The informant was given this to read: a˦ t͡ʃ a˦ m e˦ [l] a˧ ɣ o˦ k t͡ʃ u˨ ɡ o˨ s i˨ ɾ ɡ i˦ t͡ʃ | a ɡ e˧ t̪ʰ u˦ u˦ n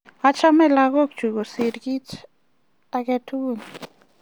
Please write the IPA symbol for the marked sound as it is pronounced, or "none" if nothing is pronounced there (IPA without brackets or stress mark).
l